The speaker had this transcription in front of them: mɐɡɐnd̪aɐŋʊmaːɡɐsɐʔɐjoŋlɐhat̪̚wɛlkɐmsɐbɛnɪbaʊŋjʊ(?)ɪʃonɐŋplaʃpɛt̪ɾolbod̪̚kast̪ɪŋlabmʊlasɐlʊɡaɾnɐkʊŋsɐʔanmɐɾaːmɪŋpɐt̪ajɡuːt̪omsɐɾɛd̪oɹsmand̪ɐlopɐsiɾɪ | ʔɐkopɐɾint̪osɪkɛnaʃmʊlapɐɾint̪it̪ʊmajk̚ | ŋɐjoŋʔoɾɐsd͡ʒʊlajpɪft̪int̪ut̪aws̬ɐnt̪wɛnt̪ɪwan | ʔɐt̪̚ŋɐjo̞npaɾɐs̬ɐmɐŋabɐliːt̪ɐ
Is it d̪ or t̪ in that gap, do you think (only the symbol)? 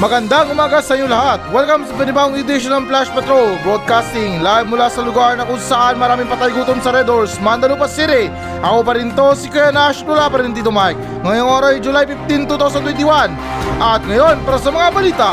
d̪